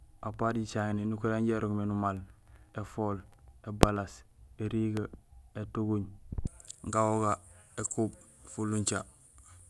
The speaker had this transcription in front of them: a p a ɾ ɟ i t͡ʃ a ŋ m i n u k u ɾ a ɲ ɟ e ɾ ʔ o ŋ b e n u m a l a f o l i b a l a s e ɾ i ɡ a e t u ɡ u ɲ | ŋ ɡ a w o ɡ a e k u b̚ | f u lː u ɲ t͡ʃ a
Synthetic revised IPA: a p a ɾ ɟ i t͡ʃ a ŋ n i n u k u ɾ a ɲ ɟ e ɾ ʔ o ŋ m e n u m a l e f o l e b a l a s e ɾ i ɡ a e t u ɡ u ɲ | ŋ ɡ a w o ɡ a e k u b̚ | f u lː u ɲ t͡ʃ a